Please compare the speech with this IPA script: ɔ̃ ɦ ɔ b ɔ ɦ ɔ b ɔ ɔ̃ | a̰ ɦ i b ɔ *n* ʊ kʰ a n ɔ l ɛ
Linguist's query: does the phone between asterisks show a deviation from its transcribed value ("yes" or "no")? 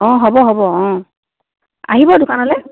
yes